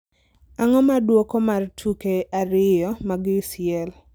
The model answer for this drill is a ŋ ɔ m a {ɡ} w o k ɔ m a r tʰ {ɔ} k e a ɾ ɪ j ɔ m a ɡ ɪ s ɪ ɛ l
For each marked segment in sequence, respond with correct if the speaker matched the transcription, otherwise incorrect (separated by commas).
incorrect, incorrect